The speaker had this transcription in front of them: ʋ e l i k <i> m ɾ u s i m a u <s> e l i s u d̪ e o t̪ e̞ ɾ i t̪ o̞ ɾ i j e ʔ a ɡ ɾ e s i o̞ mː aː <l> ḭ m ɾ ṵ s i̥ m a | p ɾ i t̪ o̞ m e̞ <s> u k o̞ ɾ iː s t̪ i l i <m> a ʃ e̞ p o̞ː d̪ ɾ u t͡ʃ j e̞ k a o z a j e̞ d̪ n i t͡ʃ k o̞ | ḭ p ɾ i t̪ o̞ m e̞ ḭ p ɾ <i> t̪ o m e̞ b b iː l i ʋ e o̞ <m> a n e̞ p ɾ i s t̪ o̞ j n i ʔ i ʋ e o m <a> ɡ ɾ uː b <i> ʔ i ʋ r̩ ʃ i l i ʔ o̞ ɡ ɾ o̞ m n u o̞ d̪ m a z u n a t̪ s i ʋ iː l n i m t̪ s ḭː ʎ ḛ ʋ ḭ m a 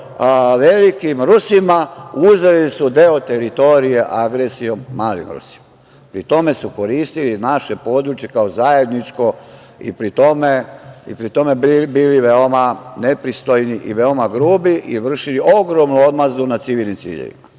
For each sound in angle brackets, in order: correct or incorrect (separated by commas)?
correct, incorrect, correct, correct, incorrect, correct, correct, correct, correct